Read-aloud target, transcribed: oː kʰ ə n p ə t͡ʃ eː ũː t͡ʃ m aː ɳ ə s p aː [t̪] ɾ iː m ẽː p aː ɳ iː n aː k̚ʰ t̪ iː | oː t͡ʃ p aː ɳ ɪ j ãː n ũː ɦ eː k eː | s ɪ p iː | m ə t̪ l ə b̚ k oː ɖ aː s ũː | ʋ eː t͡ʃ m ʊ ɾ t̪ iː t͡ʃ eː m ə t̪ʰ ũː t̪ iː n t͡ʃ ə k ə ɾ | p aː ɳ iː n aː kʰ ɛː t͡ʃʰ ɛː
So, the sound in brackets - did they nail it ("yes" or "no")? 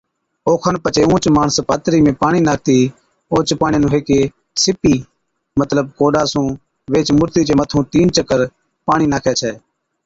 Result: yes